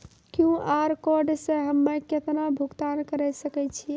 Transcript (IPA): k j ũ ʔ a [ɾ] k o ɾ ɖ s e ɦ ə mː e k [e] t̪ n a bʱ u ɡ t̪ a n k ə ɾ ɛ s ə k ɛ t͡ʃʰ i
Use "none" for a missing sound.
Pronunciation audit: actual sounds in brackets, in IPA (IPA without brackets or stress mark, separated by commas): ɾ, e